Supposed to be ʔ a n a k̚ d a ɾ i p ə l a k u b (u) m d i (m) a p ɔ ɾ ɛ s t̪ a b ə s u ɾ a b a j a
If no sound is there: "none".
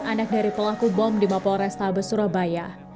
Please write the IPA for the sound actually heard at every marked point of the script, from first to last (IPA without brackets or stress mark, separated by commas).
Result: ɔ, m